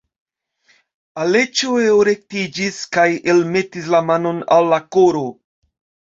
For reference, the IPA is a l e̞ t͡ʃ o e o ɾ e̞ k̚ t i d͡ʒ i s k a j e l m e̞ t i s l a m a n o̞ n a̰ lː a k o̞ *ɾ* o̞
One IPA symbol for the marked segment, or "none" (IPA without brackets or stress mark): ɾ